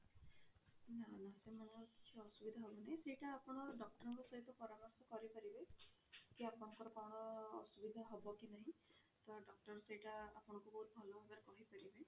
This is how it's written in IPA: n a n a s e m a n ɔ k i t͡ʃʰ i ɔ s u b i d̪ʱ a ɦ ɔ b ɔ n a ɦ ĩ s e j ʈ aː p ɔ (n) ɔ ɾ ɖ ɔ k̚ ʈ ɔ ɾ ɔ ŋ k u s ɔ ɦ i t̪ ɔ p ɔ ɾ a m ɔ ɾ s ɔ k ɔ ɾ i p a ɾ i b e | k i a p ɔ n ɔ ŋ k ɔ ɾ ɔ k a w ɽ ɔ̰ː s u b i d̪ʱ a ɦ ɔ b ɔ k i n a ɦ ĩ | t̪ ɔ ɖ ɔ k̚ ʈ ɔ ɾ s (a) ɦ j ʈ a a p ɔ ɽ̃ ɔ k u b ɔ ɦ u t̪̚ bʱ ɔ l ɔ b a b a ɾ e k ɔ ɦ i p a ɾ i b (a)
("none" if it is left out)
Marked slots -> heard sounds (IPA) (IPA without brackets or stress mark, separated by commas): n, e, e